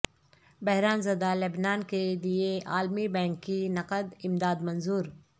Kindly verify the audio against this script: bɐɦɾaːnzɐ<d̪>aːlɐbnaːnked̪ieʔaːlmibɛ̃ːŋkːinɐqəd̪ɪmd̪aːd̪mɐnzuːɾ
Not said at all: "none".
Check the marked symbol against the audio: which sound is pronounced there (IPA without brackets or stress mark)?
d̪